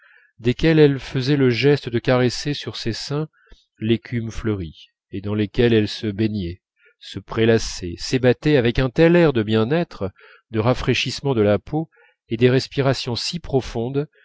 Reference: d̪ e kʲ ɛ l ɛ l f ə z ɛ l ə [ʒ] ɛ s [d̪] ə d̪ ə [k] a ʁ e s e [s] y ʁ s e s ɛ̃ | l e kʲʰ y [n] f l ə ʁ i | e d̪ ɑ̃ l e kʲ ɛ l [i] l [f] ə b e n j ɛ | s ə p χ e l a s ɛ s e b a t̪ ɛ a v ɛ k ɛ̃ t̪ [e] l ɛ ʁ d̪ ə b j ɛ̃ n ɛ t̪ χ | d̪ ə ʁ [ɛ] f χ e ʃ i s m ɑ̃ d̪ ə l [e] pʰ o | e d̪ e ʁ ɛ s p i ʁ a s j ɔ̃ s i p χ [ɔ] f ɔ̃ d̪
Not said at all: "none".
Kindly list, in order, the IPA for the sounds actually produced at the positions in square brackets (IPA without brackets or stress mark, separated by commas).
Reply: ʒ, t̪, k, s, m, ɛ, s, ɛ, a, a, ɔ